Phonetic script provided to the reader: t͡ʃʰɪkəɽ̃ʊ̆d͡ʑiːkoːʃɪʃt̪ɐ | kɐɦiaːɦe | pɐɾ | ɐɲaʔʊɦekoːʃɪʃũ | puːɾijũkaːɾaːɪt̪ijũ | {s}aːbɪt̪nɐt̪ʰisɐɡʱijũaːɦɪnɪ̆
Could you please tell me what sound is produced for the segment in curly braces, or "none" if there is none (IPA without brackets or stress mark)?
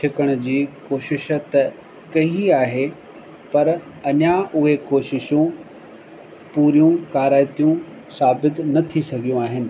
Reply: s